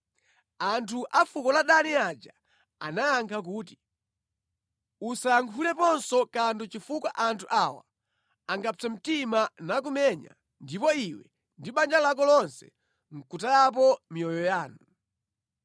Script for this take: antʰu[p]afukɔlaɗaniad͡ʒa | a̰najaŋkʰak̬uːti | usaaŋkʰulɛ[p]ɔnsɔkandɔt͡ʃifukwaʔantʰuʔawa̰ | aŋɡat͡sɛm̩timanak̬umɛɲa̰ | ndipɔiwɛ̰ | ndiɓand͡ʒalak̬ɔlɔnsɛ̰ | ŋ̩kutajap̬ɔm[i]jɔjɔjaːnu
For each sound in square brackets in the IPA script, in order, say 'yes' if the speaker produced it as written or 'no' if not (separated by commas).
no, yes, yes